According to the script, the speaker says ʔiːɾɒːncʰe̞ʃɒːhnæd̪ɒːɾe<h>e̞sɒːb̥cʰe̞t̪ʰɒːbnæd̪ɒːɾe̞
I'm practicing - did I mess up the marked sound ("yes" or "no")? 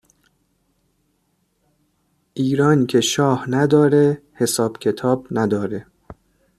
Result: no